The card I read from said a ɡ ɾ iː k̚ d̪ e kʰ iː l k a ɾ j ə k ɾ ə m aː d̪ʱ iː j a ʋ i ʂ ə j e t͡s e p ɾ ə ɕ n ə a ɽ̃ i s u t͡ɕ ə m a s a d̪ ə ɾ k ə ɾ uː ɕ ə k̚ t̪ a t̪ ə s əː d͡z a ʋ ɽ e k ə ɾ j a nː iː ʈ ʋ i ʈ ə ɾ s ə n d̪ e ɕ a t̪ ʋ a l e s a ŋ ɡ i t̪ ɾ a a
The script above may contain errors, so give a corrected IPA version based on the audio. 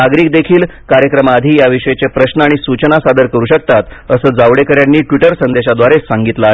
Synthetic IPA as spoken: a ɡ ɾ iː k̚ d̪ e kʰ iː l k a ɾ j ə k ɾ ə m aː d̪ʱ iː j a ʋ i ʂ ə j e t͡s e p ɾ ə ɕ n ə a ɽ̃ i s u t͡ɕ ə n a s a d̪ ə ɾ k ə ɾ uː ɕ ə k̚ t̪ a t̪ ə s əː d͡z a ʋ ɽ e k ə ɾ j a nː iː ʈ ʋ i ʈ ə ɾ s ə n d̪ e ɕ a d̪ ʋ a ɾ e s a ŋ ɡ i t̪ l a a